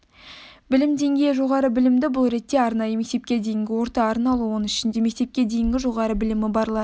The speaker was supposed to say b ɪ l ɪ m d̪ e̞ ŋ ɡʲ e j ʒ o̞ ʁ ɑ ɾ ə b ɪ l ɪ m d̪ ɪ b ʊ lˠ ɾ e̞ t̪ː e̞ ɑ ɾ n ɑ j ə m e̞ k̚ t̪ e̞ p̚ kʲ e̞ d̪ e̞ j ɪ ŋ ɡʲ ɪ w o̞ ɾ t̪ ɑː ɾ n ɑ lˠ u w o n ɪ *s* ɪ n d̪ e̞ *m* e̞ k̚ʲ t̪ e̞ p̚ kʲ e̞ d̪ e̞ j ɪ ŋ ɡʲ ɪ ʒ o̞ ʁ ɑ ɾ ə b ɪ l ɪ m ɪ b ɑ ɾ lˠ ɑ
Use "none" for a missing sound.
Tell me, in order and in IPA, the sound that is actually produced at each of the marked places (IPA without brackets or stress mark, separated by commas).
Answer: ʃ, m